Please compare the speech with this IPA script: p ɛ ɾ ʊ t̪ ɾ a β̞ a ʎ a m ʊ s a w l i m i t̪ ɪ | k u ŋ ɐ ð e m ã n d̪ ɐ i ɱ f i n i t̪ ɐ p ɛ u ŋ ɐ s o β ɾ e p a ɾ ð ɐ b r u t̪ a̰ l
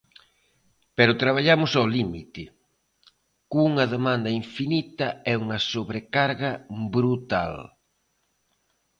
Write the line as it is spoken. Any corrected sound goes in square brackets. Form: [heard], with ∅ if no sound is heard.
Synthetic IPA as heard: p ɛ ɾ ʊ t̪ ɾ a β̞ a ʎ a m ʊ s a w l i m i t̪ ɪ | k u ŋ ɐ ð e m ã n d̪ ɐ i ɱ f i n i t̪ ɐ [∅] ɛ u ŋ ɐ s o β ɾ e [k] a ɾ [ɣ] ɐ b [ɾ] u t̪ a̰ l